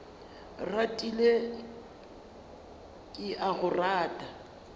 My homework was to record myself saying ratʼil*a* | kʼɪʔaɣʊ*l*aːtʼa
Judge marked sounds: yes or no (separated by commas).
no, no